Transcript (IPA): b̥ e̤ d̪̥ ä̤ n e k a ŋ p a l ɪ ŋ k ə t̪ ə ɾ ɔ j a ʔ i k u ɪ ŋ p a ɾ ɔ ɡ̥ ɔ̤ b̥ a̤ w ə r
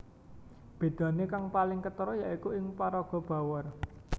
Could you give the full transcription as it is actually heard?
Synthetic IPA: b̥ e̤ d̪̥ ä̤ n e k a ŋ p a l ɪ ŋ k ə t̪ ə ɾ ɔ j a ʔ i k u ɪ ŋ p a ɾ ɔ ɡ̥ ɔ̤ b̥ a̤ w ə r